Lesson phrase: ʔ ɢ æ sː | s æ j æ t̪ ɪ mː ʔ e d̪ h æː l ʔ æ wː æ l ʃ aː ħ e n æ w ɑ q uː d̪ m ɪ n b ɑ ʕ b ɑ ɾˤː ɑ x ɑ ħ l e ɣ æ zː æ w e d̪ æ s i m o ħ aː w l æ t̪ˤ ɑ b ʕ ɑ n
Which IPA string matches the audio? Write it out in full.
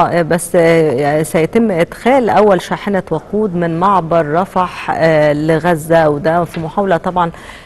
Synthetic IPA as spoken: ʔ b æ sː | s æ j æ t̪ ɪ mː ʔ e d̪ x æː l ʔ æ wː æ l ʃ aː ħ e n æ w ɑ q uː d̪ m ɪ n m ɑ ʕ b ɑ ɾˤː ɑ f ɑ ħ l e ɣ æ zː æ w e d̪ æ f i m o ħ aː w l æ t̪ˤ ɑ b ʕ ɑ n

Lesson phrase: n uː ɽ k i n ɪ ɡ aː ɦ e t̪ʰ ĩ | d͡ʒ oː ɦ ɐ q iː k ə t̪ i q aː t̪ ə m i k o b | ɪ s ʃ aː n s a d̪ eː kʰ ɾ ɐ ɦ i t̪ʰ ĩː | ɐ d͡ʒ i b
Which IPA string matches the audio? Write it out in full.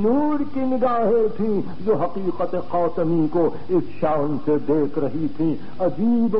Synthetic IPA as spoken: n uː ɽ k i n ɪ ɡ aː ɦ e t̪ʰ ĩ | d͡ʒ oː ɦ ɐ q iː q ə t̪ e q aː t̪ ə m i k o | ɪ s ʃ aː n s e d̪ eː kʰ ɾ ɐ ɦ i t̪ʰ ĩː | ɐ d͡ʒ iː b

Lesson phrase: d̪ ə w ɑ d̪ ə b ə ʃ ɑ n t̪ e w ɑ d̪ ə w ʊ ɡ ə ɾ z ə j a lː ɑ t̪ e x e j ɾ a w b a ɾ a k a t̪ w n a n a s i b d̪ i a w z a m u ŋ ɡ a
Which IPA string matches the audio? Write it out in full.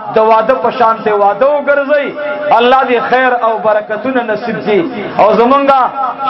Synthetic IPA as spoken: d̪ ə w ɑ d̪ ə p ə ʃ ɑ n t̪ e w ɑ d̪ ə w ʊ ɡ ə ɾ z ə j a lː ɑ d̪ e x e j ɾ a w b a ɾ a k a t̪ u n a n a s i b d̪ i a w z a m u ŋ ɡ a

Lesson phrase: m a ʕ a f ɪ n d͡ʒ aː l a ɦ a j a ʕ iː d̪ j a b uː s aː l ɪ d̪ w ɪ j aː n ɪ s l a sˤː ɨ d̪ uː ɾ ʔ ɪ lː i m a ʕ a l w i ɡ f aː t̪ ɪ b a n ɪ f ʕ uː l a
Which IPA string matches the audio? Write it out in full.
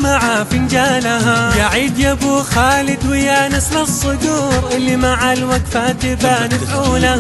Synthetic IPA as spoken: m a ʕ a f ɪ n d͡ʒ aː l a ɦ a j a ʕ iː d̪ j a b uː x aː l ɪ d̪ w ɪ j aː n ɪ s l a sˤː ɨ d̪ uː ɾ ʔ ɪ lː i m a ʕ a l w a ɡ f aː t̪ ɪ b a n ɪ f ʕ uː l a

